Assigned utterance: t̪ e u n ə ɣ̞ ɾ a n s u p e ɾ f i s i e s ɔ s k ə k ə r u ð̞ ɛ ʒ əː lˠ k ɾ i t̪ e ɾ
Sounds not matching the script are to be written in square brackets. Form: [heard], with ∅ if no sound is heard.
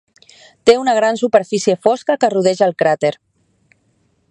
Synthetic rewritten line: t̪ e u n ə ɣ̞ ɾ a n s u p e ɾ f i s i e [f] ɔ s k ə k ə r u ð̞ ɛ ʒ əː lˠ k ɾ [a] t̪ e ɾ